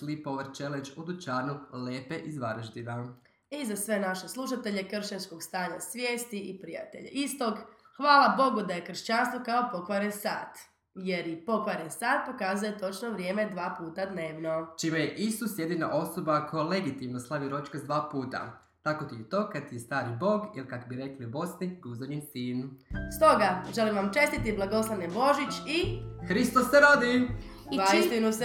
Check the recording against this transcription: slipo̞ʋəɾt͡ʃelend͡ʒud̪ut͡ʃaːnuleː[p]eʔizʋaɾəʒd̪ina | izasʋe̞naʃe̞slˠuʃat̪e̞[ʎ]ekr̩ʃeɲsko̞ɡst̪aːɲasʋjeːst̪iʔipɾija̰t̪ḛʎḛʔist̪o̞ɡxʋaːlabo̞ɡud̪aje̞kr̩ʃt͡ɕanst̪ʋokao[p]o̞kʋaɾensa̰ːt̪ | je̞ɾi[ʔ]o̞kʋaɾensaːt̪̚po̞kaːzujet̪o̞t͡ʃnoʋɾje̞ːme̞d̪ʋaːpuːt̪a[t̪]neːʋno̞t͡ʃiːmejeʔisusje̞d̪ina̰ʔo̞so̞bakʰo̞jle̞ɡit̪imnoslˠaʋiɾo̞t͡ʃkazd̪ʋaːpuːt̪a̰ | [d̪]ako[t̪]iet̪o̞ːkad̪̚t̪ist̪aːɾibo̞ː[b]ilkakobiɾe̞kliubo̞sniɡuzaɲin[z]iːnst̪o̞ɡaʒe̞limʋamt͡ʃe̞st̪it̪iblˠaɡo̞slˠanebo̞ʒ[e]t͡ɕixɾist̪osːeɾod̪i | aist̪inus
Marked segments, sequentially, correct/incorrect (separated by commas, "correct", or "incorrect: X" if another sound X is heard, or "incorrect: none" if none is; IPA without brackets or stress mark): correct, correct, correct, incorrect: p, incorrect: d̪, incorrect: t̪, correct, incorrect: ɡ, incorrect: s, incorrect: i